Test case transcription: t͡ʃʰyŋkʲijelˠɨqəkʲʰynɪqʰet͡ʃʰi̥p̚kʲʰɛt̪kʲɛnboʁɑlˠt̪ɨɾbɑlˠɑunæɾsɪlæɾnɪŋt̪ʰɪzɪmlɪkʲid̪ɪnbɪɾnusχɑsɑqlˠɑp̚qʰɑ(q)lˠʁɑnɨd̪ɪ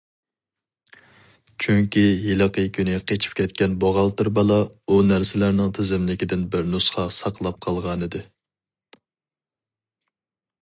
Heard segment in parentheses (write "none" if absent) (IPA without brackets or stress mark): none